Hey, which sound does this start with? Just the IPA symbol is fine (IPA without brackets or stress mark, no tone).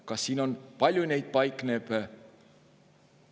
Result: k